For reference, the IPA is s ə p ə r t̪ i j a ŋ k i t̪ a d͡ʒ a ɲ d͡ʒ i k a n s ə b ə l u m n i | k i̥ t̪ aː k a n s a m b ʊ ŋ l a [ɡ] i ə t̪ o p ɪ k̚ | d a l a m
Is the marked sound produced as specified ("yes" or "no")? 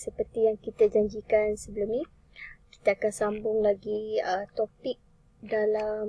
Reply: yes